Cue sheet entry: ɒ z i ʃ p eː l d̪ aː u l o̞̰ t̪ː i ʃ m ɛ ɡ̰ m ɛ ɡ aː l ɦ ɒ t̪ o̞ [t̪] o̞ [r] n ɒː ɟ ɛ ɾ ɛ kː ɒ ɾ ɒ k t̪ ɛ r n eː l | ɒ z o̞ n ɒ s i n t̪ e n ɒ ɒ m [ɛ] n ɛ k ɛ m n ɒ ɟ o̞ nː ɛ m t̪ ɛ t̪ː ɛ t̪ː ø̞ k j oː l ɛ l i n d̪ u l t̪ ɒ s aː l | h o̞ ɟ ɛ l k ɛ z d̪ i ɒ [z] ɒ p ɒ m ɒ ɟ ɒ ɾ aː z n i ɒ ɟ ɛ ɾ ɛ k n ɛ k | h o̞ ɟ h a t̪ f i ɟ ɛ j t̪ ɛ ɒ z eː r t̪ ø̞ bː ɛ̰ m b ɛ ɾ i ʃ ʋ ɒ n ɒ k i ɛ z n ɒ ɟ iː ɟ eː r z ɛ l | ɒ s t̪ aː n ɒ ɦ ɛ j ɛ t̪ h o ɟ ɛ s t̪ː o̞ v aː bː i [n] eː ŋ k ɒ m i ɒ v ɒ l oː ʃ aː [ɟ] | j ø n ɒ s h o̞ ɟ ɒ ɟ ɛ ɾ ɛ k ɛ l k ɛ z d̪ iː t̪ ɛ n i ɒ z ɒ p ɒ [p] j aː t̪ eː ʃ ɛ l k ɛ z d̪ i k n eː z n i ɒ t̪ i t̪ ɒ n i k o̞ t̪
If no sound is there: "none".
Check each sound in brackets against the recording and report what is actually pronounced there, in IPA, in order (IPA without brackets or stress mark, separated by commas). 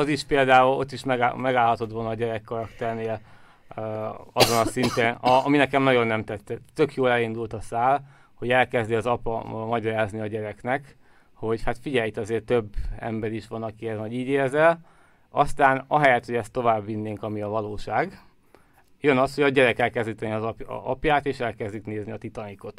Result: t̪, l, i, z, nː, ɡ, p